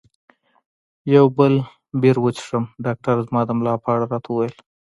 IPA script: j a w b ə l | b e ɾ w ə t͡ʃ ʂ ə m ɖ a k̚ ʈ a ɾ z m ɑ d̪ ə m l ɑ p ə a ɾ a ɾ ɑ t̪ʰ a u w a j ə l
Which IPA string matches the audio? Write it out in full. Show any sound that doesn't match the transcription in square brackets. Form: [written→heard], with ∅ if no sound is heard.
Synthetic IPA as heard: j a w b ə l | b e ɾ w ə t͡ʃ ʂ ə m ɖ [a→ɑ] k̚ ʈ a ɾ z m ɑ d̪ ə m l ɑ p ə a [ɾ→ɽ] a ɾ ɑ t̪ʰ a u w a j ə l